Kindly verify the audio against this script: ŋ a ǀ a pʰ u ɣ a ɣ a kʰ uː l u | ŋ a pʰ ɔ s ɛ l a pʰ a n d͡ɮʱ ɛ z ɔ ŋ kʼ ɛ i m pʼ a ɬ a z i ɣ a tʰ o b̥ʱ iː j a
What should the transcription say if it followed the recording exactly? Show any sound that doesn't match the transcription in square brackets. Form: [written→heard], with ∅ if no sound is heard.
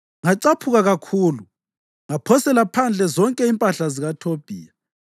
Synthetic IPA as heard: ŋ a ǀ a pʰ u ɣ a ɣ a kʰ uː l u | ŋ a pʰ ɔ s ɛ l a pʰ a n d͡ɮʱ ɛ z ɔ ŋ kʼ ɛ i m pʼ a ɬ a z i ɣ a tʰ o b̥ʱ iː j a